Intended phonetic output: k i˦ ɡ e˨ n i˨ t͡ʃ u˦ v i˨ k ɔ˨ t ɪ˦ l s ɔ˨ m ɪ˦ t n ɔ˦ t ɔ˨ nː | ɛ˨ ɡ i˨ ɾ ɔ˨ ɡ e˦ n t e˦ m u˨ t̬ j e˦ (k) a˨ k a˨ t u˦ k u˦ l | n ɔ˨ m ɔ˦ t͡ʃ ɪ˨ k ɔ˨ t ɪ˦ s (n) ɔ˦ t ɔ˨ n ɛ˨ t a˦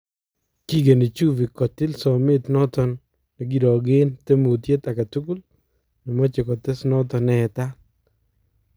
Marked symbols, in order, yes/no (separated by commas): no, yes